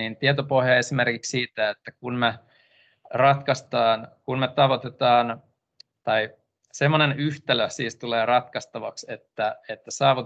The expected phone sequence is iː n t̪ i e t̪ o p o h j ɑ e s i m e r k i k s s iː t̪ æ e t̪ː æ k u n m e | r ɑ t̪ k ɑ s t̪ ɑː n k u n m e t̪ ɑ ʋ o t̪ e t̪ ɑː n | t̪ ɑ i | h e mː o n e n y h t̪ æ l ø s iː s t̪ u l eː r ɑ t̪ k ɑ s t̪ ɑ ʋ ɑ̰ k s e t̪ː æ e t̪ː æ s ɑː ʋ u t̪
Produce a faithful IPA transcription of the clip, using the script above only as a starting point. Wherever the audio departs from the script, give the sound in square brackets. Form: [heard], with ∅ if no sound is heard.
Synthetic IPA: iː n t̪ i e t̪ o p o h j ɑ e s i m e r k i k s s iː t̪ æ e t̪ː æ k u n m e | r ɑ t̪ k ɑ s t̪ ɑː n k u n m e t̪ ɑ ʋ o t̪ e t̪ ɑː n | t̪ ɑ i | [s] e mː o n e n y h t̪ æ l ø s iː s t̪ u l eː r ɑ t̪ k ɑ s t̪ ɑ ʋ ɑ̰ k s e t̪ː æ e t̪ː æ s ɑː ʋ u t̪